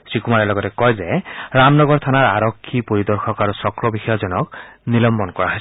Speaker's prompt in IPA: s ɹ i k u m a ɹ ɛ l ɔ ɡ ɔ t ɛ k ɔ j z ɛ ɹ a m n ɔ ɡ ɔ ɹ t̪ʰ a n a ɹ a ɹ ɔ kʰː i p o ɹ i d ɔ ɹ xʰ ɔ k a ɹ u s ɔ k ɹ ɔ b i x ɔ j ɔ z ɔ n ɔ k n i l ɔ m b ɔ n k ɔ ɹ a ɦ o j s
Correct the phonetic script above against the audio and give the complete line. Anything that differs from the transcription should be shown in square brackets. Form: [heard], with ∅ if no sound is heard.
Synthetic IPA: s ɹ i k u m a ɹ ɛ l ɔ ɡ ɔ t ɛ k ɔ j z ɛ ɹ a m n ɔ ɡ ɔ ɹ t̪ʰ a n a ɹ a ɹ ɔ kʰː i p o ɹ i d ɔ ɹ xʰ ɔ k a ɹ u s ɔ k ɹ ɔ b i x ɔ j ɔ z ɔ n ɔ k n i l ɔ m b ɔ n k ɔ ɹ a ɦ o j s